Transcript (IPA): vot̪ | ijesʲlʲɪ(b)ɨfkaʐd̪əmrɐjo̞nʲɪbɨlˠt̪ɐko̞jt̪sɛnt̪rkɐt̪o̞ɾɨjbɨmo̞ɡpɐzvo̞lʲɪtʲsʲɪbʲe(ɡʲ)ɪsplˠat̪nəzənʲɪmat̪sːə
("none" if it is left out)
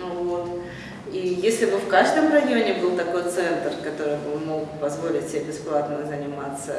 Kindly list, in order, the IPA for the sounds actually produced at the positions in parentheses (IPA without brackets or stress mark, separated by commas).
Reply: b, bʲ